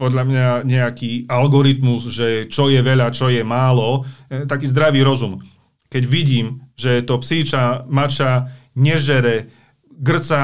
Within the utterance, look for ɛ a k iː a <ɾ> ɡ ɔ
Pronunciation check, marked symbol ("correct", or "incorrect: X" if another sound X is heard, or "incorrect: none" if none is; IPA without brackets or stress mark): incorrect: l